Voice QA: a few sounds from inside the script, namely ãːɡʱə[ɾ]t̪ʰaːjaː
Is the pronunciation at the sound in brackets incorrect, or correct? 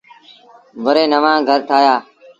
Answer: correct